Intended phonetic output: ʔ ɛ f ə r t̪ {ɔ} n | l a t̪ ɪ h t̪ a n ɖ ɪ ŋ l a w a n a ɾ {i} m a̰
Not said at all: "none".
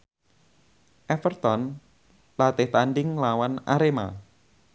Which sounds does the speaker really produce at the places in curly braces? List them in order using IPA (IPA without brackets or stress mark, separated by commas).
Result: ɔ, e